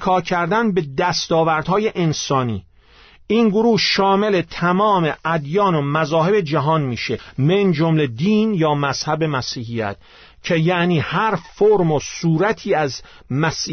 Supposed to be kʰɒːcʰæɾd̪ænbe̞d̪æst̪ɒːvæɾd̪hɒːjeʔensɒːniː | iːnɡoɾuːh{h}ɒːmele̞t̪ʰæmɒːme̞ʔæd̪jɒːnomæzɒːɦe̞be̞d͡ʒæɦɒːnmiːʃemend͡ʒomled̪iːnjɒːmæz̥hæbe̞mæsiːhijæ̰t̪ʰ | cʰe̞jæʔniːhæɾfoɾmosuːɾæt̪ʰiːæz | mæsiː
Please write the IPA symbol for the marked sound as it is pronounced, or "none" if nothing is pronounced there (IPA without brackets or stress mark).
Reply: ʃ